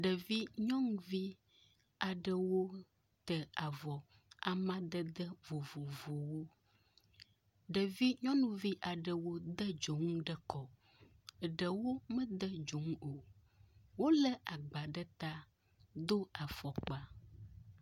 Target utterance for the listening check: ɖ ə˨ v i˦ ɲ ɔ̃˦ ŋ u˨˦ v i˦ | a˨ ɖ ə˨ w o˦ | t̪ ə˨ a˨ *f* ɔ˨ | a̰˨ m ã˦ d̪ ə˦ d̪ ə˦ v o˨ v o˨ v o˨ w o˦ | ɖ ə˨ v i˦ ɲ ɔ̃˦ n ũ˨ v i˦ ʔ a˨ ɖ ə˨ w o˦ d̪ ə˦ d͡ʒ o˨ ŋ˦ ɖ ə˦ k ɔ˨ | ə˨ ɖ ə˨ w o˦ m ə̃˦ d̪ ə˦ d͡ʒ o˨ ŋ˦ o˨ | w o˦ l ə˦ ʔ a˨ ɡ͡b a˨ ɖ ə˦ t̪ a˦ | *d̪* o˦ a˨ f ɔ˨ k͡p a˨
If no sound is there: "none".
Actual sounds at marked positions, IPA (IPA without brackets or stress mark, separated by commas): v, d̪